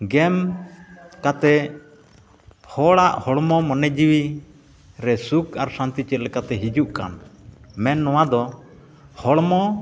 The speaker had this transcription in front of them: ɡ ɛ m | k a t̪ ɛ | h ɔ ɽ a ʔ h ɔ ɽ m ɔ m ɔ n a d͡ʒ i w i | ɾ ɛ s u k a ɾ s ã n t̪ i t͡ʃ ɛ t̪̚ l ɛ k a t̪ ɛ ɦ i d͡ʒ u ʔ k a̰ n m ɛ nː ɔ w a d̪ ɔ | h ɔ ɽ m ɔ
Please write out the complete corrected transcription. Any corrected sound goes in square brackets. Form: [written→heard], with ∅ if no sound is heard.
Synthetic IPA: ɡ ɛ m | k a t̪ ɛ | h ɔ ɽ a ʔ h ɔ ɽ m ɔ m ɔ n [a→ɛ] d͡ʒ i w i | ɾ ɛ s u k a ɾ s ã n t̪ i t͡ʃ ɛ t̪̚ l ɛ k a t̪ ɛ ɦ i d͡ʒ u ʔ k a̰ n m ɛ nː ɔ w a d̪ ɔ | h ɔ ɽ m ɔ